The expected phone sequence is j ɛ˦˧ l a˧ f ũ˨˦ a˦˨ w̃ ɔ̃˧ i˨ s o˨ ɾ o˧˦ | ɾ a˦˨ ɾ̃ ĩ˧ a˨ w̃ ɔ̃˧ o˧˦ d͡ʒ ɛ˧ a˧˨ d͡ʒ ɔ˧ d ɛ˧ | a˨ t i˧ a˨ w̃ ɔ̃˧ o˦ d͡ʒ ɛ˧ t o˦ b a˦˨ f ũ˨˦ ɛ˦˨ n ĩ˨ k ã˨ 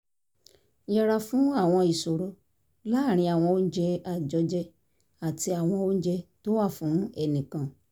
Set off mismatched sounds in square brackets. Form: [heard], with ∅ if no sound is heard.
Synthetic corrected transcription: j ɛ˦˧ [ɾ] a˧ f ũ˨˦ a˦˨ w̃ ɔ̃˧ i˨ s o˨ ɾ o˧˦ | [l] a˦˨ ɾ̃ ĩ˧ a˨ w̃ ɔ̃˧ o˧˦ d͡ʒ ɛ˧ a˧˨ d͡ʒ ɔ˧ [d͡ʒ] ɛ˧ | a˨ t i˧ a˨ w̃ ɔ̃˧ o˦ d͡ʒ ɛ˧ t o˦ [w] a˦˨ f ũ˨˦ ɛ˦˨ n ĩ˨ k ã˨